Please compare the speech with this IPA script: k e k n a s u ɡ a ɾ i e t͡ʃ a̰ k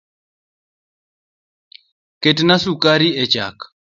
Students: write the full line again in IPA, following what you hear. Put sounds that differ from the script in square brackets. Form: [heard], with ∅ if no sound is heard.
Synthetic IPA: k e [t] n a s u [k] a ɾ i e t͡ʃ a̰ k